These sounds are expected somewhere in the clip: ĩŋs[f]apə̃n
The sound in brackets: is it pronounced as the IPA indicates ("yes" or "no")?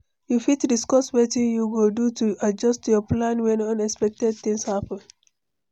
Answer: no